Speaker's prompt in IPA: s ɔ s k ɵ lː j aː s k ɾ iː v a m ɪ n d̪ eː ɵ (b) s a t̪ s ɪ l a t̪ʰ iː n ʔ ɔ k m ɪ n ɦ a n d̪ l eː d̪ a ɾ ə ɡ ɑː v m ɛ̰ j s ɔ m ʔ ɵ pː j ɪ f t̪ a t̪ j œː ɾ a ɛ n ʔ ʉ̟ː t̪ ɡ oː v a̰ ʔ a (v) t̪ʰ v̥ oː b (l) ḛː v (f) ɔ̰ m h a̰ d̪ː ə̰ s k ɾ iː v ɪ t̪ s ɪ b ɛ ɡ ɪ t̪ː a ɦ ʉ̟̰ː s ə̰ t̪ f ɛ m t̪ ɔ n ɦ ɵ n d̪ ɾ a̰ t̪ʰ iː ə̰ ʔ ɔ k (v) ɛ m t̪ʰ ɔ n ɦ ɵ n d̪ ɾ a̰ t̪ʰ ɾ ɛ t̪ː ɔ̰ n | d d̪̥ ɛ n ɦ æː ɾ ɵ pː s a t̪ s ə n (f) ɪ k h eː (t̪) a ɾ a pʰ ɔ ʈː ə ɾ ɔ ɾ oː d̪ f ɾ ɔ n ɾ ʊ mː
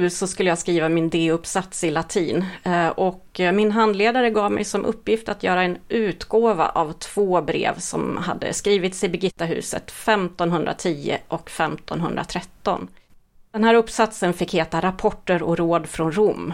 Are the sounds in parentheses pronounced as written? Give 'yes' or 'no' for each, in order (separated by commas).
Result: no, yes, no, no, no, yes, yes